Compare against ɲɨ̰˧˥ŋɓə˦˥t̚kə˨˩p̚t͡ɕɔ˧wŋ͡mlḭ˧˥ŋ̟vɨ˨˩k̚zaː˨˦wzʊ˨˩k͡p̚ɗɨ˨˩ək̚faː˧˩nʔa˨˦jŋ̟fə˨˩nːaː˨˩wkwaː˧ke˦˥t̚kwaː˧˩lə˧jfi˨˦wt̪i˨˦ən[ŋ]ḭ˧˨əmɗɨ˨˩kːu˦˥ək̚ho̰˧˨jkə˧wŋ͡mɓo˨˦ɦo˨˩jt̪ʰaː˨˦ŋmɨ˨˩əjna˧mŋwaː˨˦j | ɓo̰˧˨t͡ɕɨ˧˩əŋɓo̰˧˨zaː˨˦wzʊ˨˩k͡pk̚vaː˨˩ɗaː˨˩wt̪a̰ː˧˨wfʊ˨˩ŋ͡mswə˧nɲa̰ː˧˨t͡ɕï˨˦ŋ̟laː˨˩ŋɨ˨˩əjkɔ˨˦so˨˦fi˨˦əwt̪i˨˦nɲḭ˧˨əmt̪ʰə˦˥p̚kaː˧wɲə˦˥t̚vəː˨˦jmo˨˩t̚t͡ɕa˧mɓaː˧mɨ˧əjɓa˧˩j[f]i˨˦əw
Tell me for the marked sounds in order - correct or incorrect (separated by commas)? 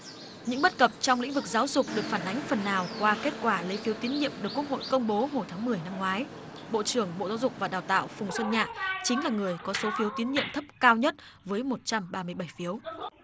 incorrect, correct